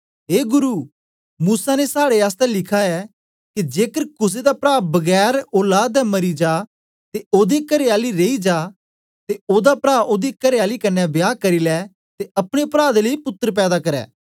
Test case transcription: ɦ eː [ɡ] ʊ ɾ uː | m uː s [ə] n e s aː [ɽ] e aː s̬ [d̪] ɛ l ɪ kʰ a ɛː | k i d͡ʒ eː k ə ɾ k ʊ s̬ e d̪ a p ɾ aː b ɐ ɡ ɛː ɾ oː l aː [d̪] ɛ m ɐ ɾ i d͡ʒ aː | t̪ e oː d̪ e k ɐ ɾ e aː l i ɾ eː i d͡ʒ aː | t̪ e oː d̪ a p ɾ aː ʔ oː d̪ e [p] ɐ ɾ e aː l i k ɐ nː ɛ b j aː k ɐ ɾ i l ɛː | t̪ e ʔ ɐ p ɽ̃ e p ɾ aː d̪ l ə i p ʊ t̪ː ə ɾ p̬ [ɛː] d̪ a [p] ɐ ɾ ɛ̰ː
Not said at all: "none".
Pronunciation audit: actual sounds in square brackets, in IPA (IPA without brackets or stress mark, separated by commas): ɡ, a, ɽ, t̪, d̪, k, ɛː, k